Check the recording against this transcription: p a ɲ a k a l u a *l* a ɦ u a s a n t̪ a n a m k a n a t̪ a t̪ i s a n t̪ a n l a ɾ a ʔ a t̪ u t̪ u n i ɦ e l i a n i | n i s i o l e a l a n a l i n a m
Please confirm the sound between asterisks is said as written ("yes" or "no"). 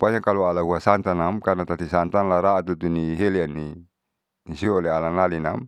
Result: yes